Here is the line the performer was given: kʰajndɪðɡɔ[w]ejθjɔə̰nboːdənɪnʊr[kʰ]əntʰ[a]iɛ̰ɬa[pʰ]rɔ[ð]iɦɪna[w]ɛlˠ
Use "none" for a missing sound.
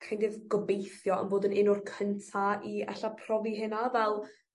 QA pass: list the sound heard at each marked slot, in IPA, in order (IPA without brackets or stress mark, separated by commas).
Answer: b, kʰ, a, pʰ, v, v